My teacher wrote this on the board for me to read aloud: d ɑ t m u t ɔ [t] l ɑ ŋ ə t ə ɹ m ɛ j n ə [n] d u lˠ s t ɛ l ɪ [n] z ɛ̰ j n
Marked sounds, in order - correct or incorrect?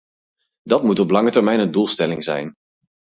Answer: incorrect, correct, incorrect

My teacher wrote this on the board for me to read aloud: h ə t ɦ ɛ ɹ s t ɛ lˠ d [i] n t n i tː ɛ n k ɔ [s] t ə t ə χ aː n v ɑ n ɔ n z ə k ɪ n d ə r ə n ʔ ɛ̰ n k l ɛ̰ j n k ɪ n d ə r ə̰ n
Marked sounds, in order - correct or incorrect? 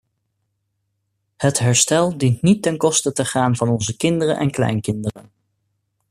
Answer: correct, correct

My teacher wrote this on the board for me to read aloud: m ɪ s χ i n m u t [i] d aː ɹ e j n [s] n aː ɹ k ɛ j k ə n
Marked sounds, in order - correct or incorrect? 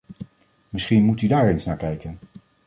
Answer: incorrect, correct

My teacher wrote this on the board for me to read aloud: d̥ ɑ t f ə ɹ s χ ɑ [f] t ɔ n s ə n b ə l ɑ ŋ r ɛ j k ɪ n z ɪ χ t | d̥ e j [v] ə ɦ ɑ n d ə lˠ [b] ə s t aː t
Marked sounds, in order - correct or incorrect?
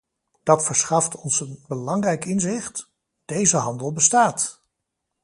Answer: correct, incorrect, correct

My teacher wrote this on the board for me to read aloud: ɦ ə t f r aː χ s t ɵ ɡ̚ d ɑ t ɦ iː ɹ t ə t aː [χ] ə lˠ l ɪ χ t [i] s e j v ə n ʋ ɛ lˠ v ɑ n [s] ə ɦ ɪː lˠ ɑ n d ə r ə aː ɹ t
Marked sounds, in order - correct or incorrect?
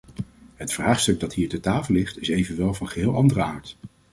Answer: incorrect, incorrect, incorrect

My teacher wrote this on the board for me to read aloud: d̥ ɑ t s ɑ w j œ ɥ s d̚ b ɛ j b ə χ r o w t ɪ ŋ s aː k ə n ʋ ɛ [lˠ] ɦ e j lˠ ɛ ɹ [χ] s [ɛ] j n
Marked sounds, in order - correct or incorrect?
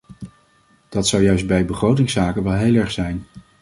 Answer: correct, correct, correct

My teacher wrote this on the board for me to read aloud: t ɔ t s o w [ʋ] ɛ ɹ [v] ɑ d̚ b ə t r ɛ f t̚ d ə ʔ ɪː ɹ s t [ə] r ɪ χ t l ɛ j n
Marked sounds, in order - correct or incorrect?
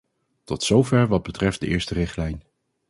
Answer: incorrect, incorrect, correct

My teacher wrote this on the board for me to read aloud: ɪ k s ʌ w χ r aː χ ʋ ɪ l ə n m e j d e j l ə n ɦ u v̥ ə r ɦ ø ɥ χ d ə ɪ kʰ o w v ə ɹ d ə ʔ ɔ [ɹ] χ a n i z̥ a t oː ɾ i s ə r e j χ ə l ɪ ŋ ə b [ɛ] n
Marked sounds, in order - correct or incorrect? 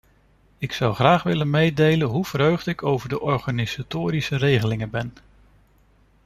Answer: correct, correct

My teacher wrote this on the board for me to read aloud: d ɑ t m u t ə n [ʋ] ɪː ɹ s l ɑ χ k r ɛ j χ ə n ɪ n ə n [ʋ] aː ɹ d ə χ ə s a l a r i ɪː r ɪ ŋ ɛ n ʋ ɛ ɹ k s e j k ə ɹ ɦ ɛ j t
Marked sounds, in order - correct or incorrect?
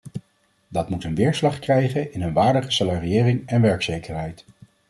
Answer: correct, correct

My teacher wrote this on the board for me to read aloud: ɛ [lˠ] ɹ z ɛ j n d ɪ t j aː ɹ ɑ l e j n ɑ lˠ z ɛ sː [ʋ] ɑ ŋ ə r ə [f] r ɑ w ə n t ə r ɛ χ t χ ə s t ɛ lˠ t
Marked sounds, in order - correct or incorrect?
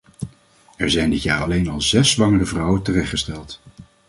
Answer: incorrect, correct, incorrect

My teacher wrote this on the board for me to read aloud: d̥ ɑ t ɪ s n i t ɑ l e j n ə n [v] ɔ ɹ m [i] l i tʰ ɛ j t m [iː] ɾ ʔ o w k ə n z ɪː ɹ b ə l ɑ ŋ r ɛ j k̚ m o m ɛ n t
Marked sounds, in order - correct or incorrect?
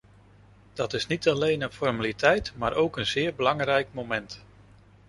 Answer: incorrect, incorrect, incorrect

